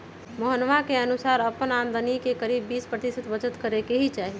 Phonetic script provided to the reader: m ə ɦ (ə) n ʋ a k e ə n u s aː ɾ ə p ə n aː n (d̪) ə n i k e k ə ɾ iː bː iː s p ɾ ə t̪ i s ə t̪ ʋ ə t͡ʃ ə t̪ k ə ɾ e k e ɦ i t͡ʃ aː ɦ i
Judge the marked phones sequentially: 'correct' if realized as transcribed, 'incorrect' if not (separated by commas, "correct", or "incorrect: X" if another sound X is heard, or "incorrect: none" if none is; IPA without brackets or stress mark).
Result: correct, correct